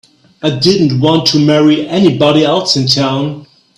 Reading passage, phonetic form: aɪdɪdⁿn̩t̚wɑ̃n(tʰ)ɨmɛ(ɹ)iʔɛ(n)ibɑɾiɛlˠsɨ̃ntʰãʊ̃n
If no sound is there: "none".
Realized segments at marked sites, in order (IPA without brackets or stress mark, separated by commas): tʰ, ɹ, n